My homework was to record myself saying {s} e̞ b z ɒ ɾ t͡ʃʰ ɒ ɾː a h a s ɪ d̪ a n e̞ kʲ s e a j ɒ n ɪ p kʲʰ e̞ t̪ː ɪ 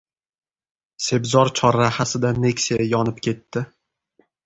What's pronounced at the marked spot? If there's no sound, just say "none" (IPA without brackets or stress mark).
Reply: s